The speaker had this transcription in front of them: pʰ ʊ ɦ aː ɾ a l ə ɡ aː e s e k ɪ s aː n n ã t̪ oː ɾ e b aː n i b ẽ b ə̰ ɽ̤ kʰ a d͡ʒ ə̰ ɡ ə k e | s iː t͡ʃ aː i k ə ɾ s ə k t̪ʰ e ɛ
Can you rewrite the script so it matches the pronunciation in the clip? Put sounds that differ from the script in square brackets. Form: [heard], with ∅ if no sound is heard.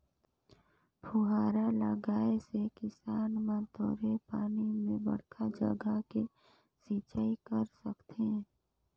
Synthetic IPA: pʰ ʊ ɦ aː ɾ a l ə ɡ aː e s e k ɪ s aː n [m] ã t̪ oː ɾ e [p] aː n i [m] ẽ b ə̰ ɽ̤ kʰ a d͡ʒ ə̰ ɡ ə k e | s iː t͡ʃ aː i k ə ɾ s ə k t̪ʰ e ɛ